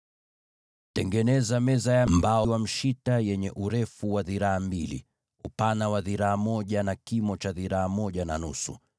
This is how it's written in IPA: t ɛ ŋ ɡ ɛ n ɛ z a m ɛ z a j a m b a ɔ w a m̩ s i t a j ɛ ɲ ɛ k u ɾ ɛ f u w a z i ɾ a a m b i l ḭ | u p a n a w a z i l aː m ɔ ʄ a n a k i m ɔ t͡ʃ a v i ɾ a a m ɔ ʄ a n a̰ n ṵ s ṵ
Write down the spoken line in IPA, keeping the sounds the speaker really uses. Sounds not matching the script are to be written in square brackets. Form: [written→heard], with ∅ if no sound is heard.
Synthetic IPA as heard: t ɛ ŋ ɡ ɛ n ɛ z a m ɛ z a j a m b a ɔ w a m̩ [s→ʃ] i t a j ɛ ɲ ɛ [k→ʔ] u ɾ ɛ f u w a [z→ð] i ɾ a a m b i l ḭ | u p a n a w a [z→ð] i [l→ɾ] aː m ɔ ʄ a n a k i m ɔ t͡ʃ a [v→ð] i ɾ a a m ɔ ʄ a n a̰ n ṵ s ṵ